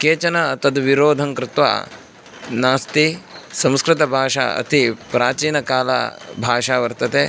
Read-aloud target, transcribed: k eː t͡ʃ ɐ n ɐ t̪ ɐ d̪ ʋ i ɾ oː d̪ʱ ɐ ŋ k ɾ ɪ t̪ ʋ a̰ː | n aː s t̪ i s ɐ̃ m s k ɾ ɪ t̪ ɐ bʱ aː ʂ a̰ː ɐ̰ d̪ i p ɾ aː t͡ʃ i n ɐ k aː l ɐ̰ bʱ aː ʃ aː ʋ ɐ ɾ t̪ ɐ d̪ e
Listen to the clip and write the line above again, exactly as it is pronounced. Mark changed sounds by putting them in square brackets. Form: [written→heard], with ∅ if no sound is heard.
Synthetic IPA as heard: k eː t͡ʃ ɐ n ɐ t̪ ɐ d̪ ʋ i ɾ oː d̪ʱ ɐ ŋ k ɾ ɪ t̪ ʋ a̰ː | n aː s t̪ i s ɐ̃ m s k ɾ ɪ t̪ ɐ bʱ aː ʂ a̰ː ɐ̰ [d̪→t̪] i p ɾ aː t͡ʃ [i→iː] n ɐ k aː l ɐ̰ bʱ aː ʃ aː ʋ ɐ ɾ t̪ ɐ [d̪→t̪] e